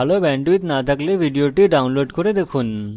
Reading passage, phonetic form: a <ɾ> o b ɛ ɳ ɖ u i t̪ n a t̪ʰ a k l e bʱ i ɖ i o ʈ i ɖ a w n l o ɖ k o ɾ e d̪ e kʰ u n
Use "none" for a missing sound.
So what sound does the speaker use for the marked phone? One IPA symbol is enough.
l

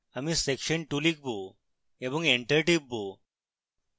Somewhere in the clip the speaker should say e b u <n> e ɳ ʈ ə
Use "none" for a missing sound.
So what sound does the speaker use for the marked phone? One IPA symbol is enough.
ŋ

